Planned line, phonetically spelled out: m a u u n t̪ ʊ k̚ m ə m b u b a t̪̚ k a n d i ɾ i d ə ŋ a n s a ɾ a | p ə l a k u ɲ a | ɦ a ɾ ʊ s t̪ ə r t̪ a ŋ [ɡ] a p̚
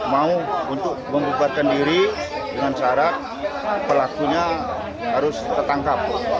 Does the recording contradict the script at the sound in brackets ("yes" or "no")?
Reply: yes